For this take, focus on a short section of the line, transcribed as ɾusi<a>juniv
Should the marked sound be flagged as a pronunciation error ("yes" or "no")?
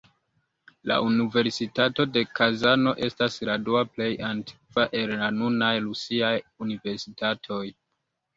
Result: no